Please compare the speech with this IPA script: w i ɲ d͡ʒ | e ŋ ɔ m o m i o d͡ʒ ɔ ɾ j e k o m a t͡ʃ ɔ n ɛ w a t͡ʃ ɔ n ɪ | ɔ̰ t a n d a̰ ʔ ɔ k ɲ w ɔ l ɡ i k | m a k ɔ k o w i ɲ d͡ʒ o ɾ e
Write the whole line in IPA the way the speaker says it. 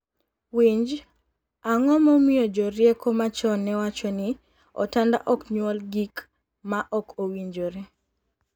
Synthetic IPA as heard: w i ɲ d͡ʒ | a ŋ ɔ m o m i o d͡ʒ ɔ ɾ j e k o m a t͡ʃ ɔ n ɛ w a t͡ʃ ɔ n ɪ | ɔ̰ t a n d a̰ ʔ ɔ k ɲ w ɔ l ɡ i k | m a ʔ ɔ k o w i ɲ d͡ʒ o ɾ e